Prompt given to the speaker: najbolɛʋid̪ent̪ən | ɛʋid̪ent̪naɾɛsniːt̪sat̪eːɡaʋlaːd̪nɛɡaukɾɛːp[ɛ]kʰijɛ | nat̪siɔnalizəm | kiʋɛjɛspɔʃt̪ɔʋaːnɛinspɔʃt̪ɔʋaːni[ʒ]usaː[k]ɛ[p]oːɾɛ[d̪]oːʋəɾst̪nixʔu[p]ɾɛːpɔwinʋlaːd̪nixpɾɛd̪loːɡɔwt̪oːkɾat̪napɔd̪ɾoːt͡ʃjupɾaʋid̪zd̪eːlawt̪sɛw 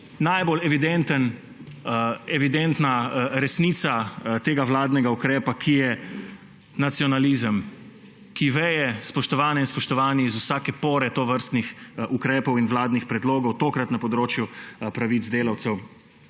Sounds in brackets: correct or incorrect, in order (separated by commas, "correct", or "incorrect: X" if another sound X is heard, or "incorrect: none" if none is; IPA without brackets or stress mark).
incorrect: a, incorrect: z, correct, correct, incorrect: t̪, incorrect: k